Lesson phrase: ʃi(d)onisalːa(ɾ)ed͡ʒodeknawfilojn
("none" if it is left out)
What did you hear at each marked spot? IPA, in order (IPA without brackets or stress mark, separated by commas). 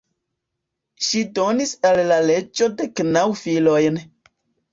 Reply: d, l